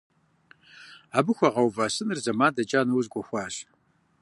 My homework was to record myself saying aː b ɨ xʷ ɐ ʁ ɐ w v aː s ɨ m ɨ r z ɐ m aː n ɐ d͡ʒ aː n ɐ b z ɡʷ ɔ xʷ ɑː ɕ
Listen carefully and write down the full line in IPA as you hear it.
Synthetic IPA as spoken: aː b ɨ xʷ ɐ ʁ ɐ w v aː s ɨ n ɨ r z ɐ m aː d ɐ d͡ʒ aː n ɐ w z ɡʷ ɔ xʷ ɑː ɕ